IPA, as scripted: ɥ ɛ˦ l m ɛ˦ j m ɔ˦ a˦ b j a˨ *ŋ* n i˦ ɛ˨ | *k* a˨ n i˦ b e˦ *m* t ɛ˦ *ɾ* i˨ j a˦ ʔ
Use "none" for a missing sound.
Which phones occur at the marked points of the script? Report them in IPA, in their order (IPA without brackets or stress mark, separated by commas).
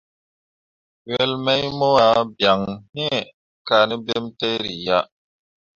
ŋ, k, m, ɾ